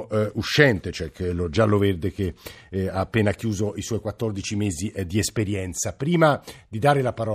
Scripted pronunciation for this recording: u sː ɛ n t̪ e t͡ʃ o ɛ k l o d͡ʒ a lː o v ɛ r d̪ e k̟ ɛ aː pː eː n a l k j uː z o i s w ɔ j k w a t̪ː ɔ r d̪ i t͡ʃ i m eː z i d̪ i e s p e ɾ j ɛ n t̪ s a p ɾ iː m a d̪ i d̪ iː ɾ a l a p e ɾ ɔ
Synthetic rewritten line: u ʃː ɛ n t̪ e t͡ʃ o ɛ k l o d͡ʒ a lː o v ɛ r d̪ e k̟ e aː pː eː n a k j uː z o i s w ɔ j k w a t̪ː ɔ r d̪ i t͡ʃ i m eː z i d̪ i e s p e ɾ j ɛ n t̪ s a p ɾ iː m a d̪ i d̪ aː ɾ e l a p a ɾ ɔ